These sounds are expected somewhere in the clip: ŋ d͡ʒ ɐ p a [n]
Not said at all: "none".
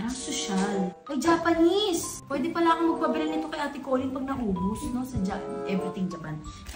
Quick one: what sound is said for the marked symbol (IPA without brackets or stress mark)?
n